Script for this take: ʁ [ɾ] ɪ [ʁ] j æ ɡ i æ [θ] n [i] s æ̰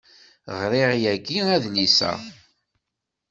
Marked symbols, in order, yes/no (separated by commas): yes, yes, no, yes